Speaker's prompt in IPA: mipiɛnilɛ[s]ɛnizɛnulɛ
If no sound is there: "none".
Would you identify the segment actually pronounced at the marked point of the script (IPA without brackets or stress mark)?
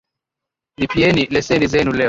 s